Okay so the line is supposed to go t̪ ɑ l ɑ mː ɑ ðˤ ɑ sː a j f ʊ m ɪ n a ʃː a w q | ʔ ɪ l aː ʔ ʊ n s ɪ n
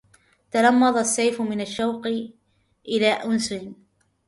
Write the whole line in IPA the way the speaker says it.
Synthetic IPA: t̪ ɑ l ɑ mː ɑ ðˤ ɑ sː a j f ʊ m ɪ n a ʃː a w q | ʔ ɪ l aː ʔ ʊ n s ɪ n